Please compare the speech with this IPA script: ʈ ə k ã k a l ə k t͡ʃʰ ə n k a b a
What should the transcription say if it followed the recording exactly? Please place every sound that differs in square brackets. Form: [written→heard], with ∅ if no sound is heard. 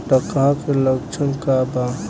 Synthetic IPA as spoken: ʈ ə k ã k [a→e] l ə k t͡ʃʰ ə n k a b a